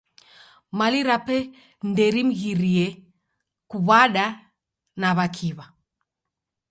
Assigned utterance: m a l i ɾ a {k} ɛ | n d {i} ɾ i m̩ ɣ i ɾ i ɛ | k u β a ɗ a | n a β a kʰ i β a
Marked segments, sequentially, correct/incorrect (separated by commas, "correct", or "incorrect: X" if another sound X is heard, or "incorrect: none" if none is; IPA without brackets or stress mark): incorrect: p, incorrect: ɛ